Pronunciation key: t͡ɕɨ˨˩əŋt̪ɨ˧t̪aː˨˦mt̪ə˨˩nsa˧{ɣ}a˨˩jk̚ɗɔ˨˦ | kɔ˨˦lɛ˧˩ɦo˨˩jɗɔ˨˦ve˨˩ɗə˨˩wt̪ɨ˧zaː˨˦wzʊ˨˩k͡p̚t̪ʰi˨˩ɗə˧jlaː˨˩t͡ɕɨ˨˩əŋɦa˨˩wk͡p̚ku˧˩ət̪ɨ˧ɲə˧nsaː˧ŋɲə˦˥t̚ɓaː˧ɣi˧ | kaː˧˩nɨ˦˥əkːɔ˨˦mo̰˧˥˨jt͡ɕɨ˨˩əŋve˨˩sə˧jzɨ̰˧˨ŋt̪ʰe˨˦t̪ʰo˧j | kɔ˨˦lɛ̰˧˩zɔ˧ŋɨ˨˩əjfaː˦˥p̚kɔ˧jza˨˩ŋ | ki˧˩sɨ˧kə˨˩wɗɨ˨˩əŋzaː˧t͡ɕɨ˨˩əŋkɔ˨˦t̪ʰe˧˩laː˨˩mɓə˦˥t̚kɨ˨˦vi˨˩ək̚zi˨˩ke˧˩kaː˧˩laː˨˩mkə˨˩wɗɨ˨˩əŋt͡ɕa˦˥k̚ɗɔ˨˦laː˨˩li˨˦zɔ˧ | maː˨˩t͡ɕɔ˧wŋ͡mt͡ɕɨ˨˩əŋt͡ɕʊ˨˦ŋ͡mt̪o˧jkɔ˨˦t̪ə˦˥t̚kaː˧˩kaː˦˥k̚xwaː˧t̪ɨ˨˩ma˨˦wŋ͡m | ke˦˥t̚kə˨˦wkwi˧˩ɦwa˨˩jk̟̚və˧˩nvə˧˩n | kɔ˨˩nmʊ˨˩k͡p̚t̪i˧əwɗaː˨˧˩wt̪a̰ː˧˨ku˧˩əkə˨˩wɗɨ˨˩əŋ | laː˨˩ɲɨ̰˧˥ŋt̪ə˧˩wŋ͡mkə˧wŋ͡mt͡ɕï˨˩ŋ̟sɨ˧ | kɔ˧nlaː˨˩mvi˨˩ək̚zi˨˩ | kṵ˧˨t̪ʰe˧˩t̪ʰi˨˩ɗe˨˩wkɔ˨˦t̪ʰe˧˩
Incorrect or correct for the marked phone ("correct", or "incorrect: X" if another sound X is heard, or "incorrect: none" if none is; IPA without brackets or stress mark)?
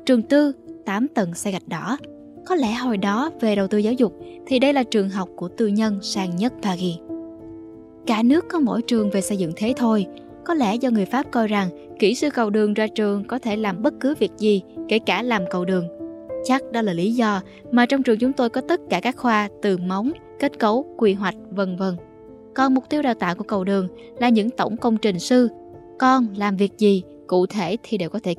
correct